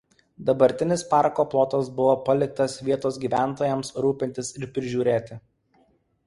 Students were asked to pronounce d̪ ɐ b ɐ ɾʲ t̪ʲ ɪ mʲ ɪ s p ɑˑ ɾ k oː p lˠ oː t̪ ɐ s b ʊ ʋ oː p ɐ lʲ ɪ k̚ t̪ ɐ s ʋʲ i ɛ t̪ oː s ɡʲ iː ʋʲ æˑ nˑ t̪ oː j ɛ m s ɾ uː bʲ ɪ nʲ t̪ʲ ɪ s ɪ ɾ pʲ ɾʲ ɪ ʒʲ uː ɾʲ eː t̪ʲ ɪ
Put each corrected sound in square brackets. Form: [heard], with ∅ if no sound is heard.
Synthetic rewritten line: d̪ ɐ b ɐ ɾʲ t̪ʲ ɪ [nʲ] ɪ s p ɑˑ ɾ k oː p lˠ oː t̪ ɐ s b ʊ ʋ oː p ɐ lʲ ɪ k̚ t̪ ɐ s ʋʲ i ɛ t̪ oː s ɡʲ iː ʋʲ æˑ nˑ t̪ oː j ɛ m s ɾ uː [pʲ] ɪ nʲ t̪ʲ ɪ s ɪ ɾ pʲ ɾʲ ɪ ʒʲ uː ɾʲ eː t̪ʲ ɪ